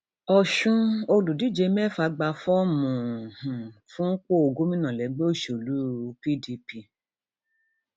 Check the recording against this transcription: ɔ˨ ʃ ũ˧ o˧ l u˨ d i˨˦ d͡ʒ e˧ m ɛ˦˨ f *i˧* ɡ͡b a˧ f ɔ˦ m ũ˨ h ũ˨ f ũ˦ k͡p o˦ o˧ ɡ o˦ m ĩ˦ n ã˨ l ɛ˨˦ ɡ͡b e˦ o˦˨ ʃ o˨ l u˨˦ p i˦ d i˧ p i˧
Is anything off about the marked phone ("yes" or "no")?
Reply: yes